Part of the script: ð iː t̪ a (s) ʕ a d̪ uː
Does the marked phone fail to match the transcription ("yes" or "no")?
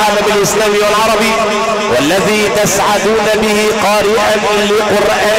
no